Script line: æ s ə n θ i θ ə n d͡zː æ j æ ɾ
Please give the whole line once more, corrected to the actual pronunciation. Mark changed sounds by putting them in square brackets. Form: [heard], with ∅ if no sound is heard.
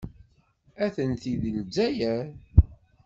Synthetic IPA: æ [θ] ə n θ i [ð] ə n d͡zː æ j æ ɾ